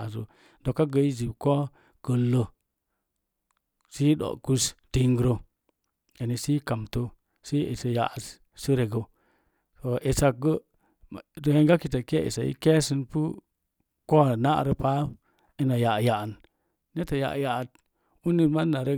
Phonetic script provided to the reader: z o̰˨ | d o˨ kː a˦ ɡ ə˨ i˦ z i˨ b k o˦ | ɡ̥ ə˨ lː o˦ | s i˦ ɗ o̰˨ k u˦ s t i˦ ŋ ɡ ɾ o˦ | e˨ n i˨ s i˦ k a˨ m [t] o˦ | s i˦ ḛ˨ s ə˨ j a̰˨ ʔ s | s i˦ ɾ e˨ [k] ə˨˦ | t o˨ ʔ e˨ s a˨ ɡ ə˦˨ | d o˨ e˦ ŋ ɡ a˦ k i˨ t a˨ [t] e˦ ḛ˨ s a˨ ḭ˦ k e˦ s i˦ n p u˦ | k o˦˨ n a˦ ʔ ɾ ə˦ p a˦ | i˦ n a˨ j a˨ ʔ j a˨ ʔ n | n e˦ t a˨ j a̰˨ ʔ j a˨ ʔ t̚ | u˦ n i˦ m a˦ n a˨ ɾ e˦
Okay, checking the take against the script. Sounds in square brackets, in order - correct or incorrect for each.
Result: correct, incorrect, incorrect

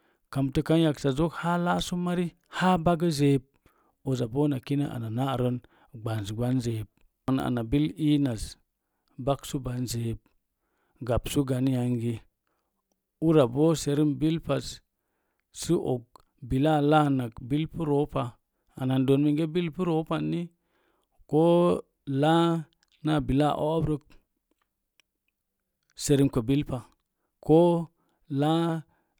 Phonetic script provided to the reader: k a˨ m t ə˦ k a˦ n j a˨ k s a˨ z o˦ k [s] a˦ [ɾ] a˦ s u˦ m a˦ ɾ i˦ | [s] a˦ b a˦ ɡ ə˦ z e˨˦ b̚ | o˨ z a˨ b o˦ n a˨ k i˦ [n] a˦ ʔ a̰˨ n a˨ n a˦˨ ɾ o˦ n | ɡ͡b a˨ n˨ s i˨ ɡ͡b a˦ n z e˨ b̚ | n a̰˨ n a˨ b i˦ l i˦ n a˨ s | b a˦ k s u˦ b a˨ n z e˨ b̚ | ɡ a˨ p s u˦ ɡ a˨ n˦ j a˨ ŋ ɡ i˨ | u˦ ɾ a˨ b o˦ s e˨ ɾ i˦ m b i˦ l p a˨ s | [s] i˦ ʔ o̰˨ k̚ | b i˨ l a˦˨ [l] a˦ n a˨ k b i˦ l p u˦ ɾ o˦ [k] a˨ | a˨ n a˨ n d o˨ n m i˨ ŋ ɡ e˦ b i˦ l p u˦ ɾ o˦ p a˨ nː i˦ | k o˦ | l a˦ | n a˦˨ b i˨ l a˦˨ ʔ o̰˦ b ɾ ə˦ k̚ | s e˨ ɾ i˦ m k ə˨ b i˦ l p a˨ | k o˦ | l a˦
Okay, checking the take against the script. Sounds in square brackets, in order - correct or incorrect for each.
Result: incorrect, incorrect, incorrect, correct, correct, correct, incorrect

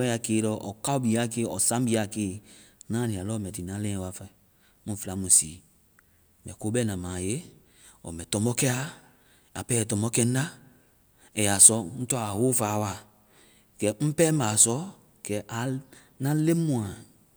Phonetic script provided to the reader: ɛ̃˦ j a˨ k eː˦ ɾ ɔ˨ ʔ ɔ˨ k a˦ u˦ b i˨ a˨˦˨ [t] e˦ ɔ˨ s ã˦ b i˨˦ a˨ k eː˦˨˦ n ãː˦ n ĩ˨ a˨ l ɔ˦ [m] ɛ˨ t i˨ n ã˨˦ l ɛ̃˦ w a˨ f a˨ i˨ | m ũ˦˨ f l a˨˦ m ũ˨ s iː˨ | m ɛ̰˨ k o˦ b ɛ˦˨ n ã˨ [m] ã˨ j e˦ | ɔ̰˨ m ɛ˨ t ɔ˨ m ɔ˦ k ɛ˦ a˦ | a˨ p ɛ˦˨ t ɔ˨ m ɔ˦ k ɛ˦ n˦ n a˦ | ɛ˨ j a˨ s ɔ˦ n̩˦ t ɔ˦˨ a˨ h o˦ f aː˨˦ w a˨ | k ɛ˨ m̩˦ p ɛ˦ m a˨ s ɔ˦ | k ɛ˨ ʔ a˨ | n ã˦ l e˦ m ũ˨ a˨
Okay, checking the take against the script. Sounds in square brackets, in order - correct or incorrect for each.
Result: incorrect, correct, correct

